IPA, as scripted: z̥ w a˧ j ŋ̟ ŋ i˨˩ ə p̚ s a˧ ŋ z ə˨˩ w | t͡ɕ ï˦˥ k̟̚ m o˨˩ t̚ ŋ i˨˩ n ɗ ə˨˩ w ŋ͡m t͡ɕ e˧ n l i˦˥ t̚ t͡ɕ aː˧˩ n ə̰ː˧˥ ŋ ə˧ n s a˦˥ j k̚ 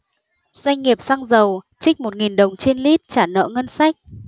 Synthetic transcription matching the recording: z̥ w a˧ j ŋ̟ ŋ i˨˩ ə p̚ s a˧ ŋ z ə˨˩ w | t͡ɕ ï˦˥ k̟̚ m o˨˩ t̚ ŋ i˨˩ n ɗ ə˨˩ w ŋ͡m t͡ɕ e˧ n l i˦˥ t̚ t͡ɕ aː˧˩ n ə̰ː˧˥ ŋ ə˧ n s a˦˥ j k̚

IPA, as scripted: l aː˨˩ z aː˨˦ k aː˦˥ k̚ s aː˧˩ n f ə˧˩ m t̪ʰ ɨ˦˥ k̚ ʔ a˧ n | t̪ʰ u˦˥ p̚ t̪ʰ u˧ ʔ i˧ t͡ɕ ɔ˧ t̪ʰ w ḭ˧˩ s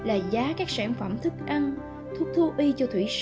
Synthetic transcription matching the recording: l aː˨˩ z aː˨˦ k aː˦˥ k̚ s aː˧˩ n f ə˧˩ m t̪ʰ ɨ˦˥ k̚ ʔ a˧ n | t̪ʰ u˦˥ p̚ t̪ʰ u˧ ʔ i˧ t͡ɕ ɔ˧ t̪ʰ w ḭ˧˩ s

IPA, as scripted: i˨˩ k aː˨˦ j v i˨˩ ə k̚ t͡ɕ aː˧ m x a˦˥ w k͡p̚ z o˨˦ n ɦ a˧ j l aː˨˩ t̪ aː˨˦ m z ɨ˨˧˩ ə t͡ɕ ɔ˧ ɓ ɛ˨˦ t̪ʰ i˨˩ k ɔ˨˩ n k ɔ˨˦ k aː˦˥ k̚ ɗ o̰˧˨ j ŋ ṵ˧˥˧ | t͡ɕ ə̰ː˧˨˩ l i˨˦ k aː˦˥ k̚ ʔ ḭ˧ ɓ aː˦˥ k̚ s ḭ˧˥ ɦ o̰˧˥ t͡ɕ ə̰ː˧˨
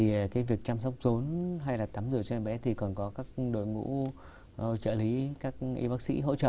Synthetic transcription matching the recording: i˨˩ k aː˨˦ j v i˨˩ ə k̚ t͡ɕ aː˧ m s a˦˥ w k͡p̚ z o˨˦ n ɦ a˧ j l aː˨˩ t̪ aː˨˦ m z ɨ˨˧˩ ə t͡ɕ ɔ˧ ɓ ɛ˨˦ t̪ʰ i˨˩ k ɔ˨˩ n k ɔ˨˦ k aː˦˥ k̚ ɗ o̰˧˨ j ŋ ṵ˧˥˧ | t͡ɕ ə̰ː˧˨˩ l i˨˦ k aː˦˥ k̚ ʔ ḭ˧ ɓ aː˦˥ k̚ s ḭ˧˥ ɦ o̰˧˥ t͡ɕ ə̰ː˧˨

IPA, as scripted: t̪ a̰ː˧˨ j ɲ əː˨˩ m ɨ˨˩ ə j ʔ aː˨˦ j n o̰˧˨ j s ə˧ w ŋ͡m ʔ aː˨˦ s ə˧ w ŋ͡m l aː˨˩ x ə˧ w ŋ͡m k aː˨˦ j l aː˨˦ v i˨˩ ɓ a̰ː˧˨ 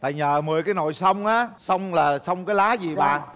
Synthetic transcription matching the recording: t̪ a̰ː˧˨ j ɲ əː˨˩ m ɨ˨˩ ə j k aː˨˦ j n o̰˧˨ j s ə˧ w ŋ͡m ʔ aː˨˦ s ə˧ w ŋ͡m l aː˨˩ s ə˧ w ŋ͡m k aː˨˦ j l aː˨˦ z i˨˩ ɓ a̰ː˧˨

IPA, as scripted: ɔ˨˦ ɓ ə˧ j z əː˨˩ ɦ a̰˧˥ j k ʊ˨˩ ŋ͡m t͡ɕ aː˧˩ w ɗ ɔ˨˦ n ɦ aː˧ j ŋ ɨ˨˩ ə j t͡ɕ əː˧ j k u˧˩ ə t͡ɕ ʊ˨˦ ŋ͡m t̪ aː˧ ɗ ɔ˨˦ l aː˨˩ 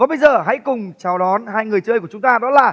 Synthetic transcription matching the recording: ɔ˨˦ ɓ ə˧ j z əː˨˩ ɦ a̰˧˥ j k ʊ˨˩ ŋ͡m t͡ɕ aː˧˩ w ɗ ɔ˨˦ n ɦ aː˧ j ŋ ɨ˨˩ ə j t͡ɕ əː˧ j k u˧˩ ə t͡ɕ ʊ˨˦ ŋ͡m t̪ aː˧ ɗ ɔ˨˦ l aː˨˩

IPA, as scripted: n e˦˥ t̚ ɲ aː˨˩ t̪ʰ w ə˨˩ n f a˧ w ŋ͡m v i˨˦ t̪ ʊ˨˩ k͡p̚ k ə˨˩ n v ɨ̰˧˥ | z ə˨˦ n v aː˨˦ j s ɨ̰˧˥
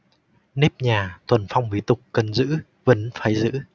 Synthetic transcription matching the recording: n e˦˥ p̚ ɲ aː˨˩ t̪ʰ w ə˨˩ n f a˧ w ŋ͡m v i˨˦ t̪ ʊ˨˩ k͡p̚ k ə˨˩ n z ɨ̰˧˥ | v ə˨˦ n f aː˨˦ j z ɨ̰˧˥

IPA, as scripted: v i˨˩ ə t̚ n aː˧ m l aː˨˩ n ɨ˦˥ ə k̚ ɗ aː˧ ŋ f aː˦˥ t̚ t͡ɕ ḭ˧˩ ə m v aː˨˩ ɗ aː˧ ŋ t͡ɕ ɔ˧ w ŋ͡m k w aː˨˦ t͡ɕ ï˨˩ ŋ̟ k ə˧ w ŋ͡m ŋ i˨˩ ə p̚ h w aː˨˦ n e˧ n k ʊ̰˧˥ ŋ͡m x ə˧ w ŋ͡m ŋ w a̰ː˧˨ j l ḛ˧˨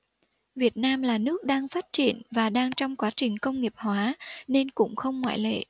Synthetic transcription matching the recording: v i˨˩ ə t̚ n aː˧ m l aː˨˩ n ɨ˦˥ ə k̚ ɗ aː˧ ŋ f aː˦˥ t̚ t͡ɕ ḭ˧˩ ə n v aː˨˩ ɗ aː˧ ŋ t͡ɕ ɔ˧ w ŋ͡m k w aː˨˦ t͡ɕ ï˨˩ ŋ̟ k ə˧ w ŋ͡m ŋ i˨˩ ə p̚ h w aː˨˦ n e˧ n k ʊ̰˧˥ ŋ͡m x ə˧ w ŋ͡m ŋ w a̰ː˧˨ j l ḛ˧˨

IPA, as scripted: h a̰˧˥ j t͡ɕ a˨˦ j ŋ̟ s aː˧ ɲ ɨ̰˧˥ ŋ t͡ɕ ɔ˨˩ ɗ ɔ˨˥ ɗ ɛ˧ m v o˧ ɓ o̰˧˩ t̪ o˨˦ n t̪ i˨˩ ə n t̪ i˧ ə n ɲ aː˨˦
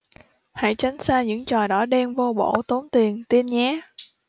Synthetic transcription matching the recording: h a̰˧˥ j t͡ɕ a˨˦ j ŋ̟ s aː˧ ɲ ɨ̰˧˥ ŋ t͡ɕ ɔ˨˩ ɗ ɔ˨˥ ɗ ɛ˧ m v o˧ ɓ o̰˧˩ t̪ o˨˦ n t̪ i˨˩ ə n t̪ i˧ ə n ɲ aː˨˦

